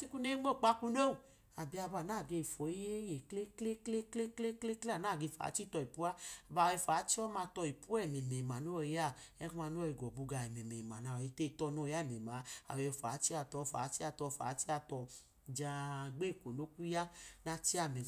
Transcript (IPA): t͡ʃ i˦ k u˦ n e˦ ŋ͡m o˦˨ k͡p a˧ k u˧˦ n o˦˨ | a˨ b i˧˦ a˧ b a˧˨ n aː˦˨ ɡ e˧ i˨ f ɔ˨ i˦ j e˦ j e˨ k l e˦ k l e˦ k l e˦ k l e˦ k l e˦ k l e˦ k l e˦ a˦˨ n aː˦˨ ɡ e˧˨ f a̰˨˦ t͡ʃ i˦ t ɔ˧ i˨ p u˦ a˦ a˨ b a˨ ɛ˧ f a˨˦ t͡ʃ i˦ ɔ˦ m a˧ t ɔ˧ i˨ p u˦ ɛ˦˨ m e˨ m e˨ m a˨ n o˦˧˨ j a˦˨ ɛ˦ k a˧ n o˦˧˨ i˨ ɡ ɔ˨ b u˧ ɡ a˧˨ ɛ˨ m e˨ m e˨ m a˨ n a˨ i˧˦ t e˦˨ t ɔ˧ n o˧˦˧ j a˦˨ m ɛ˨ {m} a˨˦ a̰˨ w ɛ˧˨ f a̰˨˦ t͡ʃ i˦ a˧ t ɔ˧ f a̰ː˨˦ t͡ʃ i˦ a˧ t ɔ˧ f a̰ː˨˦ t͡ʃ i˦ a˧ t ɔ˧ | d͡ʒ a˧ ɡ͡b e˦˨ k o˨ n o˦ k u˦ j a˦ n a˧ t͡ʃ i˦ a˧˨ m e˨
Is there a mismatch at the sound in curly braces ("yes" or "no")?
no